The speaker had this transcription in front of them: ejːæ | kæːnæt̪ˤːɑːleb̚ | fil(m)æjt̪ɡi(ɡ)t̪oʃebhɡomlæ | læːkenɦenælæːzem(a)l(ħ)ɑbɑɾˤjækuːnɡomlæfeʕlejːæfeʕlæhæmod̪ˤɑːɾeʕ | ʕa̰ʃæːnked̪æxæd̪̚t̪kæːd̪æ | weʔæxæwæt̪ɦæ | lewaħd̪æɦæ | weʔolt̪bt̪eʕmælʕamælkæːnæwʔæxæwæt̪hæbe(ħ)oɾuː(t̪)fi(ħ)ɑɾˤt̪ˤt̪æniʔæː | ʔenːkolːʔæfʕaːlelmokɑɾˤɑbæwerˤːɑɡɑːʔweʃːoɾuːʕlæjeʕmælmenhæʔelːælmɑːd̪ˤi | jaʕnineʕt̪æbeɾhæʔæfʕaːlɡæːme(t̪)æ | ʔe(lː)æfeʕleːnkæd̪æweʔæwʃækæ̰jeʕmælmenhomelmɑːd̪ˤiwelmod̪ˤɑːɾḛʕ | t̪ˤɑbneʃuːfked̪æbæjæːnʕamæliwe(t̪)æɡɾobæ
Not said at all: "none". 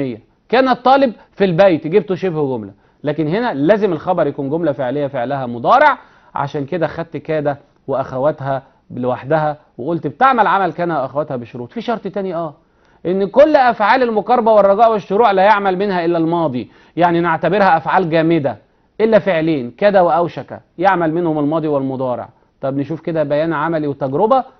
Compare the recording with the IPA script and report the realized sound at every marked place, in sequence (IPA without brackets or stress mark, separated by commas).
b, b, e, x, ʃ, t̪, ʃ, d̪, lː, t̪